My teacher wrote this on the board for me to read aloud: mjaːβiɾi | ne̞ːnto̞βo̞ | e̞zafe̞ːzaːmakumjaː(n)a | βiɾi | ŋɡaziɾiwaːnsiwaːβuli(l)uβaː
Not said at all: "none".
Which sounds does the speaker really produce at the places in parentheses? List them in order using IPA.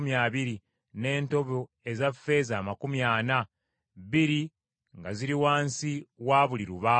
n, ɾ

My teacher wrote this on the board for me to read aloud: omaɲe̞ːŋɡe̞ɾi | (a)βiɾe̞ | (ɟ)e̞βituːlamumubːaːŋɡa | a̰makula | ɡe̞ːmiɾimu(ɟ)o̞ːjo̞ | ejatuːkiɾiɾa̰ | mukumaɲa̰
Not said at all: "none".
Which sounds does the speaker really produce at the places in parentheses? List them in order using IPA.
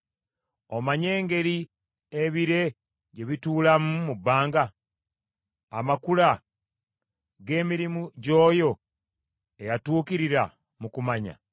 e, ɟ, ɟ

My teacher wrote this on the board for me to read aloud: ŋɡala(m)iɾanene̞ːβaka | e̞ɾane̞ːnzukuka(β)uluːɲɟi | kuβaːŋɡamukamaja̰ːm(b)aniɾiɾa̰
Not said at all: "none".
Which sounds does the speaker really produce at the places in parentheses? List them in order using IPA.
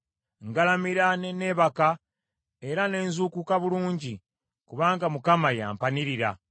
m, β, p

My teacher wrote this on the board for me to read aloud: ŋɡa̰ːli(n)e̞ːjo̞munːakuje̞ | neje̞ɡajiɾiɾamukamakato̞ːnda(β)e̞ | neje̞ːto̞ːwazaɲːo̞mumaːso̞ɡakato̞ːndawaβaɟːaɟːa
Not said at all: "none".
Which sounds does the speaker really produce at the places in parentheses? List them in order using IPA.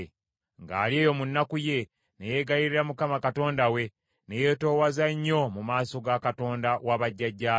none, w

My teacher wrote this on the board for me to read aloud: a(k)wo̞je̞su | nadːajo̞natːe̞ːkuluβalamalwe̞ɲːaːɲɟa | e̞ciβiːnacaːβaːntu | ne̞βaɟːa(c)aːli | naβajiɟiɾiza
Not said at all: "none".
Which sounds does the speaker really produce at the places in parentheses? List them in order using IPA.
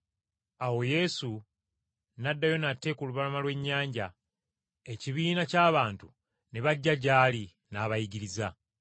none, ɟ

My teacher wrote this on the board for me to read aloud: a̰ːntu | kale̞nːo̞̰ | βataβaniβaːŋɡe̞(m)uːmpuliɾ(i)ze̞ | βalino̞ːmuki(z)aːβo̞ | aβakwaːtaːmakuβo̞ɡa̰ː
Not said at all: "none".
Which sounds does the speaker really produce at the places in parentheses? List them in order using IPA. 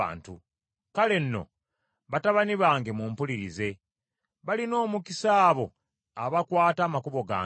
m, i, s

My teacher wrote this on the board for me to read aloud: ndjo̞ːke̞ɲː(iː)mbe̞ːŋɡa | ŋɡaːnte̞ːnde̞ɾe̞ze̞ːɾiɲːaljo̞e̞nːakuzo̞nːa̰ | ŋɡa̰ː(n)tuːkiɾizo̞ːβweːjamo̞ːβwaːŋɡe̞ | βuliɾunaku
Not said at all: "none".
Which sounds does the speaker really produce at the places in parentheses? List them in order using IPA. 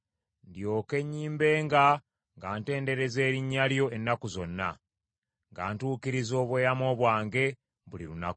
iː, n

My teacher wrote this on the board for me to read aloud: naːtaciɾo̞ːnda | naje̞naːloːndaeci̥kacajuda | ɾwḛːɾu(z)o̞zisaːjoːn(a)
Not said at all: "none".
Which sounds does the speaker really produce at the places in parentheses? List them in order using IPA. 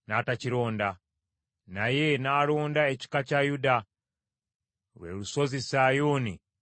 s, i

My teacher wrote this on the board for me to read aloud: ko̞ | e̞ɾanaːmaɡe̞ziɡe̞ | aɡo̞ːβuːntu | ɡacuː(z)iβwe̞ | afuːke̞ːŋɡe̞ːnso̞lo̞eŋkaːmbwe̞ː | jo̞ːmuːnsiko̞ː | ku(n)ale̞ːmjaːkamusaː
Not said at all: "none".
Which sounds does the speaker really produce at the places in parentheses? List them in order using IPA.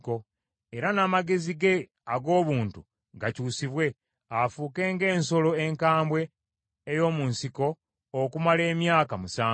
s, m

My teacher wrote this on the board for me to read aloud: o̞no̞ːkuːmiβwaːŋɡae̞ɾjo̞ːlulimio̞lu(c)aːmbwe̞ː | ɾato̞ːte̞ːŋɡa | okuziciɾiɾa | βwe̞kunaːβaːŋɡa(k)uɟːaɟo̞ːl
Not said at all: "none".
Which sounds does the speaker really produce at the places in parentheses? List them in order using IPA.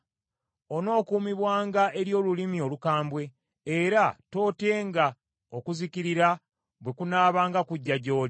k, k

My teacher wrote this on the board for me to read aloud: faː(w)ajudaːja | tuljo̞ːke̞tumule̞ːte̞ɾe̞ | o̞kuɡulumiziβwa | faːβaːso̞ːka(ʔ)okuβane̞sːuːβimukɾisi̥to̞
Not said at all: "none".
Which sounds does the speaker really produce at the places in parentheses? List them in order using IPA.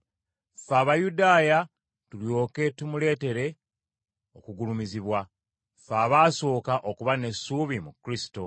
β, ʔ

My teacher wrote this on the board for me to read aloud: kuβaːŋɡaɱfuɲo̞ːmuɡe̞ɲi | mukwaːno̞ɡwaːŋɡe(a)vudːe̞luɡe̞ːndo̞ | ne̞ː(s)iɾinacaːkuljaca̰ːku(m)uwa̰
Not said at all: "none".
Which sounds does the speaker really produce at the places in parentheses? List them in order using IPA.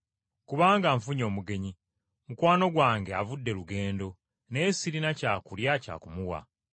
a, s, m

